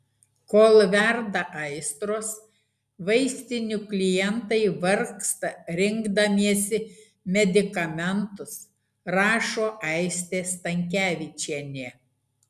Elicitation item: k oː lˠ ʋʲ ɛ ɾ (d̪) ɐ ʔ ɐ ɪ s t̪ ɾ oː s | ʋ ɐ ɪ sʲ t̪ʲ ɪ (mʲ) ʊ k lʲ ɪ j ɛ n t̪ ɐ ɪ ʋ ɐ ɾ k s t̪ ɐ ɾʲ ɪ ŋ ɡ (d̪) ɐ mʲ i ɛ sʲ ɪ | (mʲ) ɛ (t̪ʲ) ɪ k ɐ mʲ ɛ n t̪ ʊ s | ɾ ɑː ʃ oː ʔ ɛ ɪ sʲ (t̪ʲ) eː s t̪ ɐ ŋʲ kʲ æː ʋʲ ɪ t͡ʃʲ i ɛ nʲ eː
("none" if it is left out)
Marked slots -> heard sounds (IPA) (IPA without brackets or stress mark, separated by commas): d̪, nʲ, d̪, mʲ, d̪ʲ, t̪ʲ